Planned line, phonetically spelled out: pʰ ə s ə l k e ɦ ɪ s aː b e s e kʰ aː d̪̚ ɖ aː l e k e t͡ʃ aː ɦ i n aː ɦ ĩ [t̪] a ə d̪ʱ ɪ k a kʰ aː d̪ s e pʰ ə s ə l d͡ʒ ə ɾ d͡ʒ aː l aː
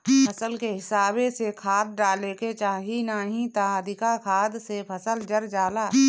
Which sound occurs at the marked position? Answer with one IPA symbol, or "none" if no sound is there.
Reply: t̪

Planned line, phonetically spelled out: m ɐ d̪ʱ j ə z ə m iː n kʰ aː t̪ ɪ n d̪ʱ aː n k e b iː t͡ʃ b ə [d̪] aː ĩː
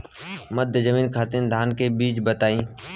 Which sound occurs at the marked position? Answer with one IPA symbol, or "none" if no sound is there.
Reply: t̪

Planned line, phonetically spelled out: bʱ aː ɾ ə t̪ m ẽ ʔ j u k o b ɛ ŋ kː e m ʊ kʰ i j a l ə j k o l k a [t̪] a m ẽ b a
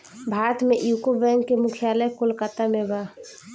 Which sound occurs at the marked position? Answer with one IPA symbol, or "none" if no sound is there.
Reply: t̪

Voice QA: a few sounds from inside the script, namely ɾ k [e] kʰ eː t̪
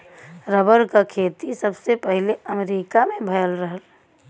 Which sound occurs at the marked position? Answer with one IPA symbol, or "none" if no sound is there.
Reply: a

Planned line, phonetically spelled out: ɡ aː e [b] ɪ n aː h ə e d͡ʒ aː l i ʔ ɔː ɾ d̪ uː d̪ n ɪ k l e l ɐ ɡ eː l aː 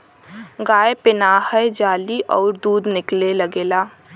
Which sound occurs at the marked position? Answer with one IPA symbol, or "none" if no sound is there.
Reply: p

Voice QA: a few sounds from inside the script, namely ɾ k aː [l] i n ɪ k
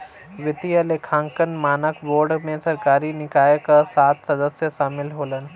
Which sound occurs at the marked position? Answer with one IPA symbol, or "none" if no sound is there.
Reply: ɾ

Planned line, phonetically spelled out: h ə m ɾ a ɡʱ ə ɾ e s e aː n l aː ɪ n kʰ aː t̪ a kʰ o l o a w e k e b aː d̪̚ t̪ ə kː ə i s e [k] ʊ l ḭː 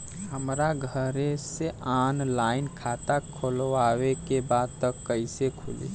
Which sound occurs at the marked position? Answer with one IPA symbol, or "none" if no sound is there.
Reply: kʰ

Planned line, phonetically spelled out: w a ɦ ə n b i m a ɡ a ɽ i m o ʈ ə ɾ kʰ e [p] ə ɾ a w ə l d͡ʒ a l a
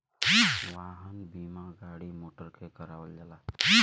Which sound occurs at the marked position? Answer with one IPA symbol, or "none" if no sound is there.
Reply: k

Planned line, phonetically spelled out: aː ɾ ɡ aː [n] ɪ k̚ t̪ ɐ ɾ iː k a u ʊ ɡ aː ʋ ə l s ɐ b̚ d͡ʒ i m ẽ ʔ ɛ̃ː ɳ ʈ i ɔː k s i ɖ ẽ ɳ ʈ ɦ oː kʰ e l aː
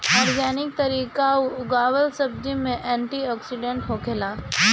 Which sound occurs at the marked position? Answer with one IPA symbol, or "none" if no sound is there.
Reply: n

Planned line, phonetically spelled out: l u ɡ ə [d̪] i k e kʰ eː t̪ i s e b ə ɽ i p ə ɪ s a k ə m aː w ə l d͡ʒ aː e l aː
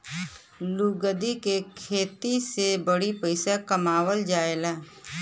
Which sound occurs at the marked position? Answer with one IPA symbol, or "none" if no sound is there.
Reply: d̪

